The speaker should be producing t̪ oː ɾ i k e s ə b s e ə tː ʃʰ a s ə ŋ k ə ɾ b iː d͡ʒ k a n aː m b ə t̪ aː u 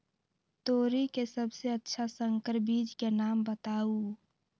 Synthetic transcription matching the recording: t̪ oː ɾ i k e s ə b s e ə tː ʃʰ a s ə ŋ k ə ɾ b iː d͡ʒ k e n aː m b ə t̪ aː u